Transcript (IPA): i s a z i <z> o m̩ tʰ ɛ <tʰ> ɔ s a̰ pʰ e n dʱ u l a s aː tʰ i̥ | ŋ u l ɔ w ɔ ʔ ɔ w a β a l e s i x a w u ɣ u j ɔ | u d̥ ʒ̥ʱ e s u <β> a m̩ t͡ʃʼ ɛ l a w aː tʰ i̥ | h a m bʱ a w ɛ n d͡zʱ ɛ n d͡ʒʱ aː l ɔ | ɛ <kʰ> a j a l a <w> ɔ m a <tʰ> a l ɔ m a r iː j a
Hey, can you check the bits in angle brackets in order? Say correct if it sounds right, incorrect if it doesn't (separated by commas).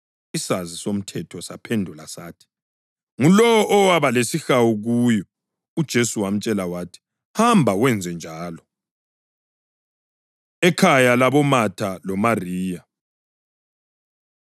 incorrect, correct, incorrect, correct, incorrect, correct